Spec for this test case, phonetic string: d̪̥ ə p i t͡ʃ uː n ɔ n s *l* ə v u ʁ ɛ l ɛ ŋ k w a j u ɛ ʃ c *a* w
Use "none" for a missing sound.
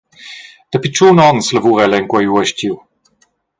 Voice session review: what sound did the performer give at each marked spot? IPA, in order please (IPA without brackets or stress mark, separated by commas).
l, i